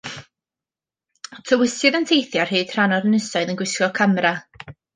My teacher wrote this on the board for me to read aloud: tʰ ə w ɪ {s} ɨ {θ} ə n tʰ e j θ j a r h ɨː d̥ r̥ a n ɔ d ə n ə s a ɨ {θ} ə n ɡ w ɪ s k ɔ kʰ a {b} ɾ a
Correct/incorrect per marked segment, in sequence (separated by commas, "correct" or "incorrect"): correct, incorrect, incorrect, incorrect